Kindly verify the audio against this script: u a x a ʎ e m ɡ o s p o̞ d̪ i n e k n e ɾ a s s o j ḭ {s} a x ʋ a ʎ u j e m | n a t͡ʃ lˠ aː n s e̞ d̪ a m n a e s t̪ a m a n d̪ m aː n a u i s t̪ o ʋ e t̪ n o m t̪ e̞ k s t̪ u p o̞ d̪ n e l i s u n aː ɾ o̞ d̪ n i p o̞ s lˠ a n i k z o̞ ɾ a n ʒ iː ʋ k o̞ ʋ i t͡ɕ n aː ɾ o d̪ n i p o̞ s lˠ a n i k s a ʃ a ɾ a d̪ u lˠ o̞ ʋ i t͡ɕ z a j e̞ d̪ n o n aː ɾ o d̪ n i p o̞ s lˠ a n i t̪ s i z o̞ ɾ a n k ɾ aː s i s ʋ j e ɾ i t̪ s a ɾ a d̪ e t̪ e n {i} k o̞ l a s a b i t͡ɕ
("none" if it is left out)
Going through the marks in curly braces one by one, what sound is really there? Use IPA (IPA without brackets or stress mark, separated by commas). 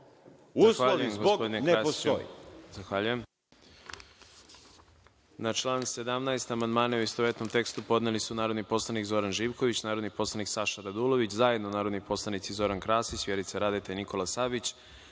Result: z, i